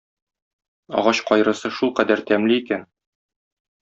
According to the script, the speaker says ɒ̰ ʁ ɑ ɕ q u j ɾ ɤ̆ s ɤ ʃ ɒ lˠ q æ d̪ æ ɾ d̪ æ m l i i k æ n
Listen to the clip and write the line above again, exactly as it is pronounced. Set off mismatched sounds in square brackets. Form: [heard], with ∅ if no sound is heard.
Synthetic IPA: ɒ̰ ʁ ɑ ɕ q [ɒ] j ɾ ɤ̆ s ɤ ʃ [u] lˠ q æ d̪ æ ɾ [t̪] æ m l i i k æ n